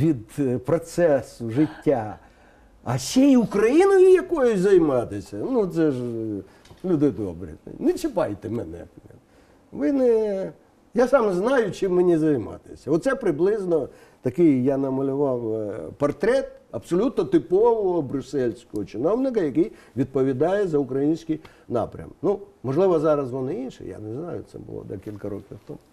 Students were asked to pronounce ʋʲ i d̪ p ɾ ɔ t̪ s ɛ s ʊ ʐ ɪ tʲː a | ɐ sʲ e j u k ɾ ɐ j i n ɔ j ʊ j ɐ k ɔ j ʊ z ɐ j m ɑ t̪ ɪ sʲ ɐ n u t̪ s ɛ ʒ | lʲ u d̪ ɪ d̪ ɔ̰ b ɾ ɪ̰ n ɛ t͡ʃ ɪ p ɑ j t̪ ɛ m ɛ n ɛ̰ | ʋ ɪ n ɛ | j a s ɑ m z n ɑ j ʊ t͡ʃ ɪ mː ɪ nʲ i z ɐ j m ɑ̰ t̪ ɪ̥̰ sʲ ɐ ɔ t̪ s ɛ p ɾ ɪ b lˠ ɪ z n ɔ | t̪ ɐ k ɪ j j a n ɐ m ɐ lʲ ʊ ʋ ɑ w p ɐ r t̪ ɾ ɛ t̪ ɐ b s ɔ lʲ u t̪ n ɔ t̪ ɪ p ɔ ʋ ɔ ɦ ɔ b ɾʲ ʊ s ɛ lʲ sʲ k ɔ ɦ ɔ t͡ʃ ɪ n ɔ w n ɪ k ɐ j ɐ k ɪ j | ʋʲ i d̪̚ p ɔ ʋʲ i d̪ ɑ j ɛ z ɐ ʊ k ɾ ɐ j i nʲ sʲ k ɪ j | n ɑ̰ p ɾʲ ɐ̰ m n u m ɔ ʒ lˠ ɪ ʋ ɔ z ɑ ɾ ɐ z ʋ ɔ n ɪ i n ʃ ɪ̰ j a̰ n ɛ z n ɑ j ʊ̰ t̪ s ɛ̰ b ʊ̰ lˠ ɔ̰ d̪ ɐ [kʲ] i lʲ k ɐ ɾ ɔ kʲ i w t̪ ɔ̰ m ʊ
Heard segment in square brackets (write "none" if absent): kʲ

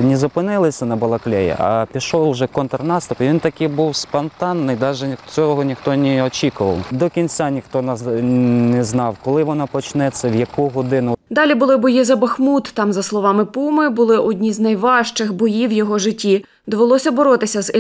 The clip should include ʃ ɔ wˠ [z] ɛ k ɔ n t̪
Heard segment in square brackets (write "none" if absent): ʒ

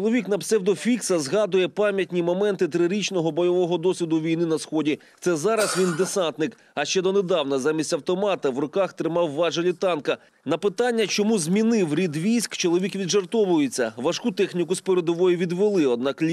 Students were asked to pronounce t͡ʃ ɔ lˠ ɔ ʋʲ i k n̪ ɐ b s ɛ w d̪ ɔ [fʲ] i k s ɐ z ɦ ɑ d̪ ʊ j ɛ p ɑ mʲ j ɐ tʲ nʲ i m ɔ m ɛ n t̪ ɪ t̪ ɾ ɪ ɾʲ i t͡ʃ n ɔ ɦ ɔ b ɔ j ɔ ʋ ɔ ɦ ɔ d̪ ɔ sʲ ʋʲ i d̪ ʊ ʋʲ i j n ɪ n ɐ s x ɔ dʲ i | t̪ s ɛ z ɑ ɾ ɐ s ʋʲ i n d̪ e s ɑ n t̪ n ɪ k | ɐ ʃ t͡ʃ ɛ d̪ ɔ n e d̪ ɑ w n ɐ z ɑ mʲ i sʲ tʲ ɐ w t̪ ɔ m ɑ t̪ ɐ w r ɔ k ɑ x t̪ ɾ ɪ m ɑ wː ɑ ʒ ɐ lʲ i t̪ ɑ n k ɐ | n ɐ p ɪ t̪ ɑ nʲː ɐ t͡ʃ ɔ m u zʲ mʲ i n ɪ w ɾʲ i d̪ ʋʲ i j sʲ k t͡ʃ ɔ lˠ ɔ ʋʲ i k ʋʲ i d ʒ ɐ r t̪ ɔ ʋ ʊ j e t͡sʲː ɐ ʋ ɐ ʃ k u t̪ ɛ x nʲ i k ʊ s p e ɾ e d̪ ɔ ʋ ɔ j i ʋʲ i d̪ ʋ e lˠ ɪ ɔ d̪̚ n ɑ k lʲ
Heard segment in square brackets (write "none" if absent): fʲ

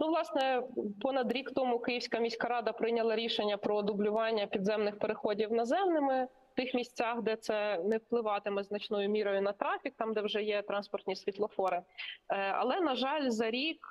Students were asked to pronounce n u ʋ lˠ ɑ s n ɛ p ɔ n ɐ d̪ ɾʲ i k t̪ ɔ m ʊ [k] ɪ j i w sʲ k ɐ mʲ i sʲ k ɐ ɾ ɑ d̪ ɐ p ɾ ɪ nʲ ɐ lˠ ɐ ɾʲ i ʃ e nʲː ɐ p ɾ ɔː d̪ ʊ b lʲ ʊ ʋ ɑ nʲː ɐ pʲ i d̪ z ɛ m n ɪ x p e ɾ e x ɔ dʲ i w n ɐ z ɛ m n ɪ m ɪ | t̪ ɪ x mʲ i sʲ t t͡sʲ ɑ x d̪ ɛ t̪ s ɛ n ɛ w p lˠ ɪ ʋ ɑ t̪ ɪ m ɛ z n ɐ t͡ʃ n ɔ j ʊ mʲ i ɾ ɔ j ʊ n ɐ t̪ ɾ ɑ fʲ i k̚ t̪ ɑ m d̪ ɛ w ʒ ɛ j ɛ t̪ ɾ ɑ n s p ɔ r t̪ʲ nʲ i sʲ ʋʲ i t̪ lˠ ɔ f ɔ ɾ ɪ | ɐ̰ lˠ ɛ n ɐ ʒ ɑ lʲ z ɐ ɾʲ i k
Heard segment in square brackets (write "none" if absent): k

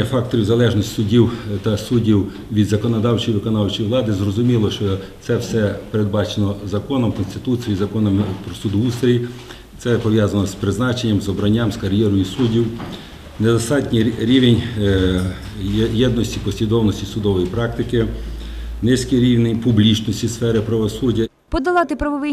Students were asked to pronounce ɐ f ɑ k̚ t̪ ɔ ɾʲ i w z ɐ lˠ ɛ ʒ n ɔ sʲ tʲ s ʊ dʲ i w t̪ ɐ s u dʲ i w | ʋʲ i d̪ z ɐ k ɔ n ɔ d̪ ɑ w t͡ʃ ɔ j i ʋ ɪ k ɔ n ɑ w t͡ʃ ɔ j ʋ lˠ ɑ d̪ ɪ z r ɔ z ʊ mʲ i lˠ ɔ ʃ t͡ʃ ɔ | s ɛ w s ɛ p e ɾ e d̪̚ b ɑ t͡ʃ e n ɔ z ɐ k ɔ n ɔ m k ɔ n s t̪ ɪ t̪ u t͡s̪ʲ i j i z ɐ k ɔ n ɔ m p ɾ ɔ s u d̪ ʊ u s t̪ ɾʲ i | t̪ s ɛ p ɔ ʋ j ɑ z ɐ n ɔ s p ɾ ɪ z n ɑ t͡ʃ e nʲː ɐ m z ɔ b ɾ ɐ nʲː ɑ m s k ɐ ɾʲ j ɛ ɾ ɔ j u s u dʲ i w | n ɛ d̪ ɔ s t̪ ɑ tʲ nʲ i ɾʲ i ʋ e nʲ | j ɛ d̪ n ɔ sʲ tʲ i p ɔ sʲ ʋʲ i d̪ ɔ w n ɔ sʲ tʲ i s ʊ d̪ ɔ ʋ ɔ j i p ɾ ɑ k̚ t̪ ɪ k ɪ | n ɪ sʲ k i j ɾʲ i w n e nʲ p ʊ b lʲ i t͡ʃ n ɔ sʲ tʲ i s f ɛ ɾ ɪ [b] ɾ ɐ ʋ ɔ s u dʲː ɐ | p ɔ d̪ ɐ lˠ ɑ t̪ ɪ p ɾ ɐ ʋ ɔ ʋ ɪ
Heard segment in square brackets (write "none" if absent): p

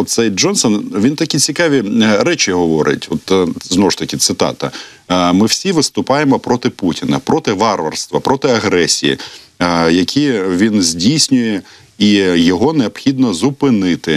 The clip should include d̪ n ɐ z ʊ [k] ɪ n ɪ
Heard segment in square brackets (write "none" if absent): p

